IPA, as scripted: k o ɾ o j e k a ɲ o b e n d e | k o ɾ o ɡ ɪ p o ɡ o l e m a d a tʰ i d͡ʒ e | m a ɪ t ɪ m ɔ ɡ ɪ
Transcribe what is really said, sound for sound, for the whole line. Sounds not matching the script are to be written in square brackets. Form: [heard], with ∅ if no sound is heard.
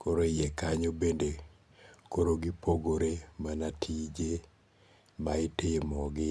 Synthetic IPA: k o ɾ o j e k a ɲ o b e n d e | k o ɾ o ɡ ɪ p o ɡ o [ɾ] e m a [n] a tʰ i d͡ʒ e | m a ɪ t ɪ m ɔ ɡ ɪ